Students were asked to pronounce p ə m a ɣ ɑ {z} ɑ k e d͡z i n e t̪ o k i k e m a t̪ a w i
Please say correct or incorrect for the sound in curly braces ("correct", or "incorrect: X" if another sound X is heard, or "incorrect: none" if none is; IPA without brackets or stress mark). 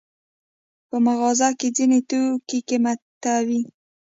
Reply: correct